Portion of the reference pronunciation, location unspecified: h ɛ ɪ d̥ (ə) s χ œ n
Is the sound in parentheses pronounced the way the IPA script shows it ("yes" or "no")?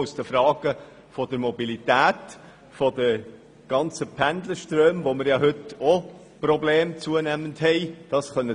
no